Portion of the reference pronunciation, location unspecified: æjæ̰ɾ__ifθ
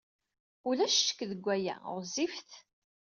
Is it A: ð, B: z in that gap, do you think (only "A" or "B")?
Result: B